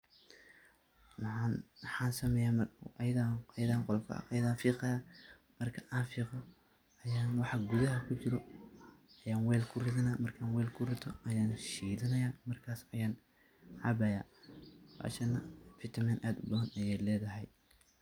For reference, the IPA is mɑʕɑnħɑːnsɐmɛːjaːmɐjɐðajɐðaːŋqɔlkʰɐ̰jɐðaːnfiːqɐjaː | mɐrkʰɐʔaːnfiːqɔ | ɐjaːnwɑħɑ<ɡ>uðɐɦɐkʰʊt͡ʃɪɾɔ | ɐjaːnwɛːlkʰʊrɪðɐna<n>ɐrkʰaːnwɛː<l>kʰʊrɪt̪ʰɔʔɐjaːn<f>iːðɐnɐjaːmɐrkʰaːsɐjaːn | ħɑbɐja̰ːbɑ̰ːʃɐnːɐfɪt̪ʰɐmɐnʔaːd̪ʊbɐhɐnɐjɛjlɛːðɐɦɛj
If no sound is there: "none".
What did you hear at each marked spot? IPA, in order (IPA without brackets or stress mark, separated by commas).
ɡ, m, l, ʃ